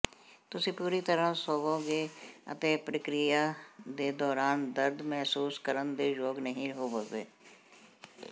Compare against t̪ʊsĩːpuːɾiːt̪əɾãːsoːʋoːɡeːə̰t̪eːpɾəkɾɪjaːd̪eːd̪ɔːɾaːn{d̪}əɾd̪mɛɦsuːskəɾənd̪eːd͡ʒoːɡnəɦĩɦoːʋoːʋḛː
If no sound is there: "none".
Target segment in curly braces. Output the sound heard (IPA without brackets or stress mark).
d̪